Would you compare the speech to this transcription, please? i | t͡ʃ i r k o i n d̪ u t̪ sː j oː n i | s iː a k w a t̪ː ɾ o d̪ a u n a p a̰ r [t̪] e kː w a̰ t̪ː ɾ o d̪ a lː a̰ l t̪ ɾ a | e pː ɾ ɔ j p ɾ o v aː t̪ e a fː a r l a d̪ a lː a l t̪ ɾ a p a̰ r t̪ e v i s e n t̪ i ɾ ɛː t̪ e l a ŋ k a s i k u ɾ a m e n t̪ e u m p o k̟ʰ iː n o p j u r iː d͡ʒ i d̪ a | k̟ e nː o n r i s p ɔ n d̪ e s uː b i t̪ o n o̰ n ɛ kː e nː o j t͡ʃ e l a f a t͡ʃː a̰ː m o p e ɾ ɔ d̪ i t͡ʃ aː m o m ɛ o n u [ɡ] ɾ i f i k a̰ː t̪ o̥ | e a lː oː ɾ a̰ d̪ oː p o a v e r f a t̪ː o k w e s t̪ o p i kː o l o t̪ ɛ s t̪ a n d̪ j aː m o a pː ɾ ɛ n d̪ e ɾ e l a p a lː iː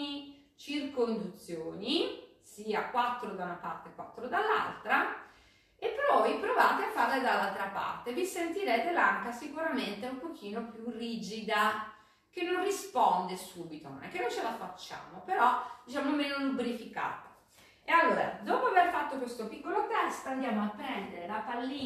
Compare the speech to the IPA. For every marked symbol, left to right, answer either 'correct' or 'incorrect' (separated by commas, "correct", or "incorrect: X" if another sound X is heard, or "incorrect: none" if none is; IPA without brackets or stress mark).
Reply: correct, incorrect: b